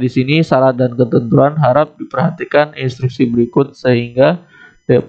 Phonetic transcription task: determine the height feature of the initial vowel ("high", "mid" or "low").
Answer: high